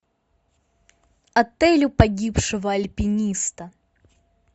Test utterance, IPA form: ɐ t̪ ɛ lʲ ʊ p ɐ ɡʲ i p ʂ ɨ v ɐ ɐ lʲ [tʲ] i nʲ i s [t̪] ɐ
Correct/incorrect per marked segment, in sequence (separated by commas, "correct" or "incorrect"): incorrect, correct